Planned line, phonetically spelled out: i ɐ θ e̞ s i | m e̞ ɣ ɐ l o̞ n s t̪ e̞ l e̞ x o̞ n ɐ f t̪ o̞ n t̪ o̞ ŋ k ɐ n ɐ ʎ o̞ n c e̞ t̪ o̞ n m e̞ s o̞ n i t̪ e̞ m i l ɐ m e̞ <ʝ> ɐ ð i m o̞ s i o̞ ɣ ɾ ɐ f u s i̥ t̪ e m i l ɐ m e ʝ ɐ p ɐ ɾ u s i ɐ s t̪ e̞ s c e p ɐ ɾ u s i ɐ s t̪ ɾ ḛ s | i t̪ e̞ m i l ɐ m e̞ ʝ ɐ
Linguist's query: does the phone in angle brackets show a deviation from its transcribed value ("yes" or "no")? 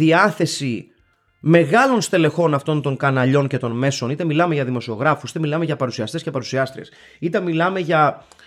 no